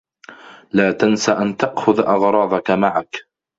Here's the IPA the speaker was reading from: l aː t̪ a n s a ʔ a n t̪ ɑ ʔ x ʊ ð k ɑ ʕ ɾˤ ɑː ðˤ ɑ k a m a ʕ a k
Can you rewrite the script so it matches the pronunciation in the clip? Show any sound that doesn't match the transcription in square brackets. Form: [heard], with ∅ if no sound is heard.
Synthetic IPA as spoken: l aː t̪ a n s a ʔ a n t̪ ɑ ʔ x ʊ ð [ʔ] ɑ [ɣ] ɾˤ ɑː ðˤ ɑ k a m a ʕ a k